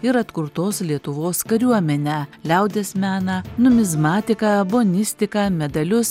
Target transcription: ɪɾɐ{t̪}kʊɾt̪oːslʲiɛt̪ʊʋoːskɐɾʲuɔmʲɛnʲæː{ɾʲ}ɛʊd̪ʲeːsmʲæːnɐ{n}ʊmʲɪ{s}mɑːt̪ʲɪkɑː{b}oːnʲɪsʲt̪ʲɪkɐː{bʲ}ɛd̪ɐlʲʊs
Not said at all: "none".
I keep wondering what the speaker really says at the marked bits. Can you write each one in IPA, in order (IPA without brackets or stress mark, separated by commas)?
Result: t̪, lʲ, n, z, b, mʲ